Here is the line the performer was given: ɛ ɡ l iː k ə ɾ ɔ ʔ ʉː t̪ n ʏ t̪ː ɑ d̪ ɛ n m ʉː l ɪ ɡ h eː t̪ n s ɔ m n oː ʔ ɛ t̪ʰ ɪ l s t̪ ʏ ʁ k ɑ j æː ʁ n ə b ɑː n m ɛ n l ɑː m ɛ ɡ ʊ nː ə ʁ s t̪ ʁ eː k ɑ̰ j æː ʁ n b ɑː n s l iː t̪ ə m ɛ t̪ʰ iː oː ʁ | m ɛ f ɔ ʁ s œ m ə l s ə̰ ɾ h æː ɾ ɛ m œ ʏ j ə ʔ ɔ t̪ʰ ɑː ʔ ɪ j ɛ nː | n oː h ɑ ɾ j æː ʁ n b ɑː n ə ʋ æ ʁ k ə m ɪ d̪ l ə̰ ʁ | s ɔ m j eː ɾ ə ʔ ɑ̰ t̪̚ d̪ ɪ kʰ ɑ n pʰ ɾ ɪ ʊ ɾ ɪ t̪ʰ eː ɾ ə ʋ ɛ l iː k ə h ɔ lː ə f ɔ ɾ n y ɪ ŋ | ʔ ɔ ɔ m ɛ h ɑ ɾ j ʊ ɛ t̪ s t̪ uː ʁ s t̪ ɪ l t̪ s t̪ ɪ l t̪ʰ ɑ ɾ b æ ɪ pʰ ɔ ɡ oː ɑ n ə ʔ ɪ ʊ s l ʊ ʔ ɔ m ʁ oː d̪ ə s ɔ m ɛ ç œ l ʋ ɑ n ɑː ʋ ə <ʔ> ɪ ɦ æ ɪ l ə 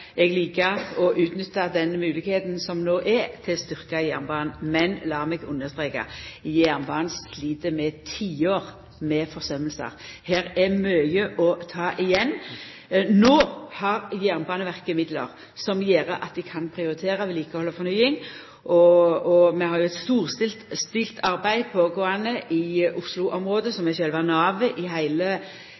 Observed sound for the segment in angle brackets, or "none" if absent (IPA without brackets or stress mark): ʔ